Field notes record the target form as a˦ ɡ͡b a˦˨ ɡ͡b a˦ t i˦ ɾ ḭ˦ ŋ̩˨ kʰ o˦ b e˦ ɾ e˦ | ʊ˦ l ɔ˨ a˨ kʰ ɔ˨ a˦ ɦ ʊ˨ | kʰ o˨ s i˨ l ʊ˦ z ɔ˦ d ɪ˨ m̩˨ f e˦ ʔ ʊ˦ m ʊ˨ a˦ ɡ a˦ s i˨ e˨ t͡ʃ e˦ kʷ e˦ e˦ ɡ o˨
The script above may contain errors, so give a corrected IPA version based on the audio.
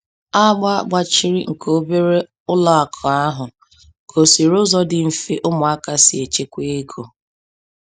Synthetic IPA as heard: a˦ ɡ͡b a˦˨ ɡ͡b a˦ t͡ʃ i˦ ɾ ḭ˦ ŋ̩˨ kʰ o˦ b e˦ ɾ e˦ | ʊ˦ l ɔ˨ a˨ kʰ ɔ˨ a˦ ɦ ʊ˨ | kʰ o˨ s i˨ ɾ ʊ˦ z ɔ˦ d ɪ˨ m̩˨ f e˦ ʔ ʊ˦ m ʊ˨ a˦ k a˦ s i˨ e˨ t͡ʃ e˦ kʷ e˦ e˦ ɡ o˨

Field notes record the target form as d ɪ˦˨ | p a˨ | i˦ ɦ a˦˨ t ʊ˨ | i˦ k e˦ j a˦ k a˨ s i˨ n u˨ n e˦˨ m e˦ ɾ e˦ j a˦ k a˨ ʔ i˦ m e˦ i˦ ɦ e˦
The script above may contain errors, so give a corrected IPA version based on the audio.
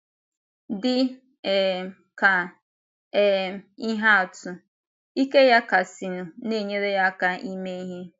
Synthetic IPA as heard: d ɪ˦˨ | k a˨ | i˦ ɦ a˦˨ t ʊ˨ | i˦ k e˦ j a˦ k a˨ s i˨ n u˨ n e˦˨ ɲ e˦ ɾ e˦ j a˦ k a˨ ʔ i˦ m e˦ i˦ ɦ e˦

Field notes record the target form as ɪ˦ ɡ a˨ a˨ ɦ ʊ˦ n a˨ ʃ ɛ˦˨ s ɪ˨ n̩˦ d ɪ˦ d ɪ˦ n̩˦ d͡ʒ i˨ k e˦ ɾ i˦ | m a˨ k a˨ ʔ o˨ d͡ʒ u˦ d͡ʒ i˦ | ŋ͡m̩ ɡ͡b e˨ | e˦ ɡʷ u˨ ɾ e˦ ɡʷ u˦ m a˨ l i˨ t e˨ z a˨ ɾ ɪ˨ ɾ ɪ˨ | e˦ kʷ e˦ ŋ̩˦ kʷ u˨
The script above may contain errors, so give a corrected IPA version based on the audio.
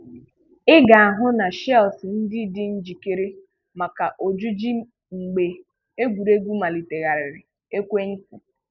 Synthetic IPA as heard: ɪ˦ ɡ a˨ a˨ ɦ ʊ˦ n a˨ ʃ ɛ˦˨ s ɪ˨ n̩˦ d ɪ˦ d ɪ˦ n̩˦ d͡ʒ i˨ k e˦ ɾ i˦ | m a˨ k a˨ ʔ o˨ d͡ʒ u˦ d͡ʒ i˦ | ŋ͡m̩ ɡ͡b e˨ | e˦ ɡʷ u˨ ɾ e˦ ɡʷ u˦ m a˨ l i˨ t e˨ ɣ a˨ ɾ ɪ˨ ɾ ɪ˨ | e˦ kʷ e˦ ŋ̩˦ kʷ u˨

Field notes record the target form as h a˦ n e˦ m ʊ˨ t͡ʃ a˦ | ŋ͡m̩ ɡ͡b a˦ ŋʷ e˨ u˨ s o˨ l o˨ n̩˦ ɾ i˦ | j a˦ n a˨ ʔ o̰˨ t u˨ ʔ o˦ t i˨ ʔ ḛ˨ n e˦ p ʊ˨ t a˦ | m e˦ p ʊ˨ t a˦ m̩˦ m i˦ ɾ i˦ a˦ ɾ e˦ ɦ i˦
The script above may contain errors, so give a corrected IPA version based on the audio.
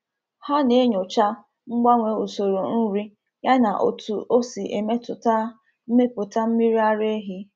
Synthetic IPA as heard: h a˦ n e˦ ɲ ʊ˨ t͡ʃ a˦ | ŋ͡m̩ ɡ͡b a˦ ŋʷ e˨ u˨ s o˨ ɾ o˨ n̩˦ ɾ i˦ | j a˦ n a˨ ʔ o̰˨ t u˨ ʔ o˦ s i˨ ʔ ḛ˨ m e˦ t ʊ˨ t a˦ | m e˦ p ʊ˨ t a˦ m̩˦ m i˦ ɾ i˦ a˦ ɾ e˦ ɦ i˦

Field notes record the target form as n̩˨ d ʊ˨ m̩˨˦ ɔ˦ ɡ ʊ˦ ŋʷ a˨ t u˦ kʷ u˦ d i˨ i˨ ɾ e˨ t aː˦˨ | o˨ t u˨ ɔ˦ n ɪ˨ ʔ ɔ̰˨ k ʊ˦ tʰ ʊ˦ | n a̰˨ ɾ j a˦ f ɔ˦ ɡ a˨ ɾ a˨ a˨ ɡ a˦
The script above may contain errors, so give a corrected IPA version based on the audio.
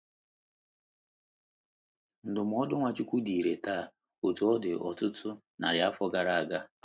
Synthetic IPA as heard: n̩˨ d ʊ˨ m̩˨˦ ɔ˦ d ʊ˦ ŋʷ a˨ t͡ʃ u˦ kʷ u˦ d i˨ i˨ ɾ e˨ t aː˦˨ | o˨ t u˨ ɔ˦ d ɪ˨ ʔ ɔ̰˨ t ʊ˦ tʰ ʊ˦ | n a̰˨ ɾ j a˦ f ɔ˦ ɡ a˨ ɾ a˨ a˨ ɡ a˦

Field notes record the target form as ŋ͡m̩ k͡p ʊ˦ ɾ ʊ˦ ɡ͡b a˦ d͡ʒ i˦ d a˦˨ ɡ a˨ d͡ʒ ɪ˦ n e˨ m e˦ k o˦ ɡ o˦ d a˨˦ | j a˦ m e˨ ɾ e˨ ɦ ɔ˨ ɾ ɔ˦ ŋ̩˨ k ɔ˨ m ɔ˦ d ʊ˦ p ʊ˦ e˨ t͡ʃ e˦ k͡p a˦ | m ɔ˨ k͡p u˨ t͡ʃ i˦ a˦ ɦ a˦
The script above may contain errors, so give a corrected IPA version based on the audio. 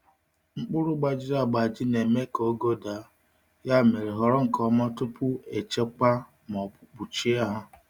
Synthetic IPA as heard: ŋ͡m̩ k͡p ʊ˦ ɾ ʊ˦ ɡ͡b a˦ d͡ʒ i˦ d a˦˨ ɡ͡b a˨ d͡ʒ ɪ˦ n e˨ m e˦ k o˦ ɡ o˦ d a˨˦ | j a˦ m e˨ ɾ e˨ ɦ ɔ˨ ɾ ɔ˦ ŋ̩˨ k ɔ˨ m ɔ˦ t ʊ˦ p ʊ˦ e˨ t͡ʃ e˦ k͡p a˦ | m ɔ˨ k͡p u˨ t͡ʃ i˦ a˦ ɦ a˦

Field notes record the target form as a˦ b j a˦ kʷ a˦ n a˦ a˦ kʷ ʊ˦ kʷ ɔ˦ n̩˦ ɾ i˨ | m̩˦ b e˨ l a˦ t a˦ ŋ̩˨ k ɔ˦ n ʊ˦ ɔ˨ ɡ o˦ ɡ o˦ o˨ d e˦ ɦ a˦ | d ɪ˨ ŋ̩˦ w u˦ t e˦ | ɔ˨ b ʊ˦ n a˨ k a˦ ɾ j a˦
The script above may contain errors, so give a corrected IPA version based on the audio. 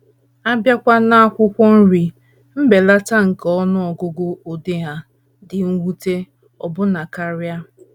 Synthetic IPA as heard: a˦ b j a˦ kʷ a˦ n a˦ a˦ kʷ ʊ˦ kʷ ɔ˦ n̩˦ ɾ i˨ | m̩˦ b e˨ l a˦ t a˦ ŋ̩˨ k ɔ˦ n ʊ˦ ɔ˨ ɡ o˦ ɡ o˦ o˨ d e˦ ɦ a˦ | d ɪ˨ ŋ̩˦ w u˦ t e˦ | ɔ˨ b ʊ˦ n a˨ k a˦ ɾ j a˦

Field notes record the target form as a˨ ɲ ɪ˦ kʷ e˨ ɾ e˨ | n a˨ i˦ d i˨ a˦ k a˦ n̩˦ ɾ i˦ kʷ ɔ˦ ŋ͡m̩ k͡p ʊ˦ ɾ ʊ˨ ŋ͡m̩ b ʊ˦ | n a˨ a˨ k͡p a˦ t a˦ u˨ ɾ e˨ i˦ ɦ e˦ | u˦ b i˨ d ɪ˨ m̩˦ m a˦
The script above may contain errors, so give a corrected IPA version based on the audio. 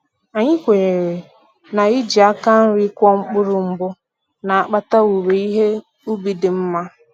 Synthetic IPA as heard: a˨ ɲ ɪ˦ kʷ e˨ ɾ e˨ | n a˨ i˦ d͡ʒ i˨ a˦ k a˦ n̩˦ ɾ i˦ kʷ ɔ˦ ŋ͡m̩ k͡p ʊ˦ ɾ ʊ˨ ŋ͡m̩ b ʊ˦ | n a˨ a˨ k͡p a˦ t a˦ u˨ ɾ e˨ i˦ ɦ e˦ | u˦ b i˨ d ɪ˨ m̩˦ m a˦

